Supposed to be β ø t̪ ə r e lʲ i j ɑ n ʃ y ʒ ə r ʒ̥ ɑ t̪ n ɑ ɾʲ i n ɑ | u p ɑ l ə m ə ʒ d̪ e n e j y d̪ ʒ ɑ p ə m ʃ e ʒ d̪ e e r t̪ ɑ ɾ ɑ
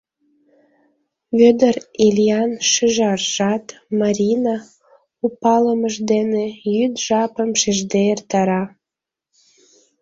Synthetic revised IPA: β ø d̪ ə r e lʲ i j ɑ n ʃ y ʒ ɑ r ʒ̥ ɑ t̪ m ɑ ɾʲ i n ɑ | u p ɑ l ə m ə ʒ d̪ e n e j y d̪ ʒ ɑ p ə m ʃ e ʒ d̪ e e r t̪ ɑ ɾ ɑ